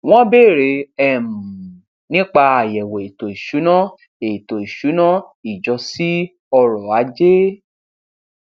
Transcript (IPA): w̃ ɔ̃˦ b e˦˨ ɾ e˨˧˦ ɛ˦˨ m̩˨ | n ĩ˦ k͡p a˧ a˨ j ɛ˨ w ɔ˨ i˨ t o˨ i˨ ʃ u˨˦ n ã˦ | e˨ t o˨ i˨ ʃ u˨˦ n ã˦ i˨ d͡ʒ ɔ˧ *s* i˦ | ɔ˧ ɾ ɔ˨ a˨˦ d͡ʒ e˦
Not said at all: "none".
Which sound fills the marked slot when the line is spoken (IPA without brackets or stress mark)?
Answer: s